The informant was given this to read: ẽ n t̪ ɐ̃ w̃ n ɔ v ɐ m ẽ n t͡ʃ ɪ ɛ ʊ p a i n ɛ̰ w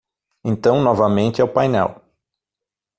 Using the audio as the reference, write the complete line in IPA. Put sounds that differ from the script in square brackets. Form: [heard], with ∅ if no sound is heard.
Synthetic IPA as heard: ẽ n t̪ ɐ̃ w̃ n ɔ v ɐ m ẽ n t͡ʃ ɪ ɛ ʊ p a [j] n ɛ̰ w